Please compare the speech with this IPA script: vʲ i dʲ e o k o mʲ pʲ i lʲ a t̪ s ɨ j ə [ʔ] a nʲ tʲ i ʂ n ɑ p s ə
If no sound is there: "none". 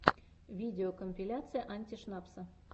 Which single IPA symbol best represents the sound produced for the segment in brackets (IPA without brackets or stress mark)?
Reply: ʔ